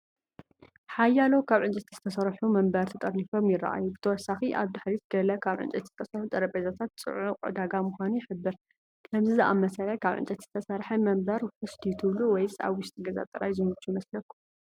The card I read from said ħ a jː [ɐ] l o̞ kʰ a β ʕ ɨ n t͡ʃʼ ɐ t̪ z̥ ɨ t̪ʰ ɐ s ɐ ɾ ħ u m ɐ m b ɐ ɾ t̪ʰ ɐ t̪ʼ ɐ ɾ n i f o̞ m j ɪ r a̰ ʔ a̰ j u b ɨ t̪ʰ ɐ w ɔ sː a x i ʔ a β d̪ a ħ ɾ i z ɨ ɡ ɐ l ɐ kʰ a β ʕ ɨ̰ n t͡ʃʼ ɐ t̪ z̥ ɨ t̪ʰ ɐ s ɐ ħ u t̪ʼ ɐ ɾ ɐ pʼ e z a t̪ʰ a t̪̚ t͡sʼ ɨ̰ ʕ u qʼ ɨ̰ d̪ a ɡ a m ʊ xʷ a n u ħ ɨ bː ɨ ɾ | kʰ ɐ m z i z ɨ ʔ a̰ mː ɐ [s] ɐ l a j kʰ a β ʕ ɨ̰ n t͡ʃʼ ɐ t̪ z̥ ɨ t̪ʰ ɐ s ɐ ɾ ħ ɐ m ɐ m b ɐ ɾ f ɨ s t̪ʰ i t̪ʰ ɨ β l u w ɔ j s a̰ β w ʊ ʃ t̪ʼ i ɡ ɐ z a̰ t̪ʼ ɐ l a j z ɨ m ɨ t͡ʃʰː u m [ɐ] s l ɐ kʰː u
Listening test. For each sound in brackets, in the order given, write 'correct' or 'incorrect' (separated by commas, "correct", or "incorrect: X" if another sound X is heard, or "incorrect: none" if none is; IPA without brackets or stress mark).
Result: incorrect: a, correct, correct